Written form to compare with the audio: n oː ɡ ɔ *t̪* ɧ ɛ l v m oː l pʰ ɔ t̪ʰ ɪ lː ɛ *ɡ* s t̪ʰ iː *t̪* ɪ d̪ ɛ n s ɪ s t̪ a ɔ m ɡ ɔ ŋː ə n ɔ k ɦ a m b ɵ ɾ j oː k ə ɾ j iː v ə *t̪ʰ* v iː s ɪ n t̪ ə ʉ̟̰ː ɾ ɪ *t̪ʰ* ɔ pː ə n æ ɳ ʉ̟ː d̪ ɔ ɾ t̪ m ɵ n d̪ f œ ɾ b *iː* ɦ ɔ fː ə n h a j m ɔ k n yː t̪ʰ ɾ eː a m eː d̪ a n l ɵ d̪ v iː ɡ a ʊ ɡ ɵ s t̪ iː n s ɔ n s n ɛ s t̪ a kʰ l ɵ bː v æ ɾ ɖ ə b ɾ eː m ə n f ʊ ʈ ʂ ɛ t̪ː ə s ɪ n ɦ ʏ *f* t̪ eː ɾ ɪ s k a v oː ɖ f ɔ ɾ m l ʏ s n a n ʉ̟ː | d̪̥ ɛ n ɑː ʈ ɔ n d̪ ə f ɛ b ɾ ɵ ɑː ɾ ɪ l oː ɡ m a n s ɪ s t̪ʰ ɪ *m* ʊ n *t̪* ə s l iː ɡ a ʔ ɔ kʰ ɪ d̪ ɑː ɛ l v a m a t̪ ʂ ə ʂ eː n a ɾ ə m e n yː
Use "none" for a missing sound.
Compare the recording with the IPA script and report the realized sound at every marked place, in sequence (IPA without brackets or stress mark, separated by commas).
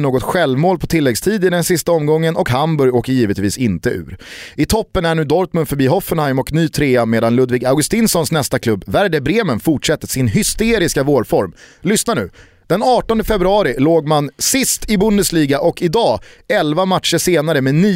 t̪, ɡ, d̪, t̪, t̪ʰ, iː, s, b, d̪